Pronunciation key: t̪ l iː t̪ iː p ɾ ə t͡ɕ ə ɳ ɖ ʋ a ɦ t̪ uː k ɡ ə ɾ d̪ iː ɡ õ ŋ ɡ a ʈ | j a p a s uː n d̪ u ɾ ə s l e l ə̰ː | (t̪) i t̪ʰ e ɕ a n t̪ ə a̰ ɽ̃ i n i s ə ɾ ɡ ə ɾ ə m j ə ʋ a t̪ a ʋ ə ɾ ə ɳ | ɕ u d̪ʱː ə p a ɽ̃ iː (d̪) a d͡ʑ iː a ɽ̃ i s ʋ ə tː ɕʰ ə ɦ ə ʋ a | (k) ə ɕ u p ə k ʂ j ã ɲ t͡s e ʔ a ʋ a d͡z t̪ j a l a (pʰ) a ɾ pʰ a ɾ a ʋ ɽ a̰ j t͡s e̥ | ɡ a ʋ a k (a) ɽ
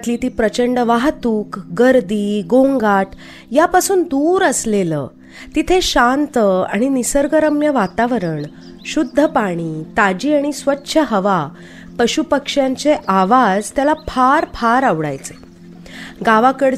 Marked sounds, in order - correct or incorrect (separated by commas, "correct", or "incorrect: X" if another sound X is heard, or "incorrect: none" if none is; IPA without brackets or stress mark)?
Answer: correct, incorrect: t̪, incorrect: p, correct, incorrect: ə